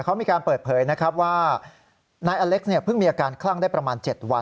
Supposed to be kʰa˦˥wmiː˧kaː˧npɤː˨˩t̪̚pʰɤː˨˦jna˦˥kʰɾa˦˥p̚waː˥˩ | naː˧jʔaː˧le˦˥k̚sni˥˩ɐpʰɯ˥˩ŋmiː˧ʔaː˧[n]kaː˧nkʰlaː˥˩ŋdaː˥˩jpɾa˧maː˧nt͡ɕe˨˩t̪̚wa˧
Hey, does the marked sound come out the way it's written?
no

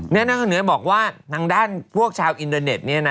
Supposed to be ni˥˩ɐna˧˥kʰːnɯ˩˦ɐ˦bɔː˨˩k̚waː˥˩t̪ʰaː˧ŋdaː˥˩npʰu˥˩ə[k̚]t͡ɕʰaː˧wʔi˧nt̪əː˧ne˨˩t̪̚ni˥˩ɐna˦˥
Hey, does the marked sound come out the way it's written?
yes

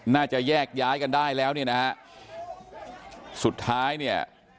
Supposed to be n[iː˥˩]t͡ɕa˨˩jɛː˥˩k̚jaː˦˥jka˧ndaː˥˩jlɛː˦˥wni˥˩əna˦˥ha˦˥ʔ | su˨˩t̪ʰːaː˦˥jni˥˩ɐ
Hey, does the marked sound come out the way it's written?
no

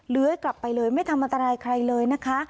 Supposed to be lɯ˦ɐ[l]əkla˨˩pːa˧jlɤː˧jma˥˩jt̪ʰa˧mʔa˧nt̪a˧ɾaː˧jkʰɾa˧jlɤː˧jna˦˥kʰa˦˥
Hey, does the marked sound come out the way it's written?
no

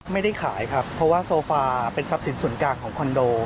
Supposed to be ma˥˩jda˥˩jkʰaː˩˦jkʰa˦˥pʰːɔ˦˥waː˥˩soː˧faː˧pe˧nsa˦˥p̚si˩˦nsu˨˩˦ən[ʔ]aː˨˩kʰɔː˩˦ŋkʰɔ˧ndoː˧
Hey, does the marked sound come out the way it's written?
no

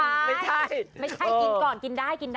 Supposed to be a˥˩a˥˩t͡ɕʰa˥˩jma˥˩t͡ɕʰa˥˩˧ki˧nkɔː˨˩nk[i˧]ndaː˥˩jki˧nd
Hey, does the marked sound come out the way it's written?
yes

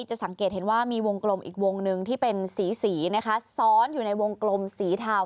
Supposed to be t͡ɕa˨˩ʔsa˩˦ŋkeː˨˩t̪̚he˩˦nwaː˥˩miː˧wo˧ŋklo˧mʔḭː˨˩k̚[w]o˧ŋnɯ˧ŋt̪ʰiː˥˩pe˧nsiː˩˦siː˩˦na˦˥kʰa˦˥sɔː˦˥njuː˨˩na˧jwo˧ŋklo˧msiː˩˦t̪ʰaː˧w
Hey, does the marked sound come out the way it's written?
yes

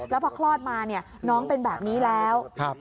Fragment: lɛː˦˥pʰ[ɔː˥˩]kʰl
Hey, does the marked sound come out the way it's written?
no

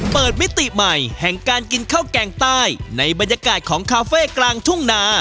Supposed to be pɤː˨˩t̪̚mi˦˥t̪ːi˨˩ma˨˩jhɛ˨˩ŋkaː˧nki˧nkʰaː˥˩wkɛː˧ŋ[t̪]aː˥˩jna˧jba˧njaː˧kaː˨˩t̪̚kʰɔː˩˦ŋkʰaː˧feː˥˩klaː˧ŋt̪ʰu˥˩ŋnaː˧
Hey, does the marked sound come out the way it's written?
yes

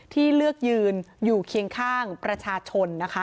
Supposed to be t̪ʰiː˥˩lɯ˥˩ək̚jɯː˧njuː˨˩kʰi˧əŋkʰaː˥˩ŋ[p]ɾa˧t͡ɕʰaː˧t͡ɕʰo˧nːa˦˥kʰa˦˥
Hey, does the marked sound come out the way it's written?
yes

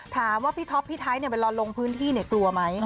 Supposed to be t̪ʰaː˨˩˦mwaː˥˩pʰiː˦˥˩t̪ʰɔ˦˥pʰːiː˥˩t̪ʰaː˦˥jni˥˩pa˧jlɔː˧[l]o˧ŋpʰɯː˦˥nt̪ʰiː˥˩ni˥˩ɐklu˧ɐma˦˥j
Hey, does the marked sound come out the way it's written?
yes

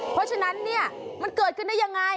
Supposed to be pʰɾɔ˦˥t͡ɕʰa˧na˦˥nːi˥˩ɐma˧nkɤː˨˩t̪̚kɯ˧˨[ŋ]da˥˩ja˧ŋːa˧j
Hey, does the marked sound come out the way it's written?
no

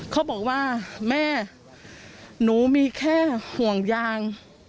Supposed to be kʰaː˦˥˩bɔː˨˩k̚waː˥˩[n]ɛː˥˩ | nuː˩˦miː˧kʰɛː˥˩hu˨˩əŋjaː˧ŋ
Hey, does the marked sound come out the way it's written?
no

